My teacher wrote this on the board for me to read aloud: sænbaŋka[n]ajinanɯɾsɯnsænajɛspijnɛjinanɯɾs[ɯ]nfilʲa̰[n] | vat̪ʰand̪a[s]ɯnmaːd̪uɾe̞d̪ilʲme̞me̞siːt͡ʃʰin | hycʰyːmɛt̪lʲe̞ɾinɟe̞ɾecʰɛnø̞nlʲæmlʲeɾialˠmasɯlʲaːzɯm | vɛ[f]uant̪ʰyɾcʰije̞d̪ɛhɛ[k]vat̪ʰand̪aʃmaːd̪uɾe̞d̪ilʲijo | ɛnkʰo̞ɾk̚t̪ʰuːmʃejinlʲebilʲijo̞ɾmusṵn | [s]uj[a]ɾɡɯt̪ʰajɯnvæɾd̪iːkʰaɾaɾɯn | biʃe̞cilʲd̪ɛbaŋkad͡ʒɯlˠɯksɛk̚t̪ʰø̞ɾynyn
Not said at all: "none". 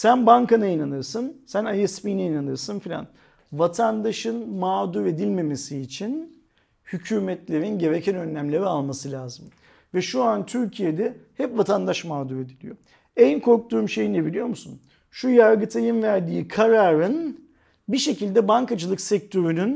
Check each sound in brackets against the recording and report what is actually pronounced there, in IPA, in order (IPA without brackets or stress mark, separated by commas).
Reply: n, ɯ, n, ʃ, ʃ, p, ʃ, a